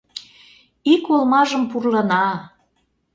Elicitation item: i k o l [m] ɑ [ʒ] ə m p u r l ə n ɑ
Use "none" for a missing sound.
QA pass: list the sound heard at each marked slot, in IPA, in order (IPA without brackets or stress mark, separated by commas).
m, ʒ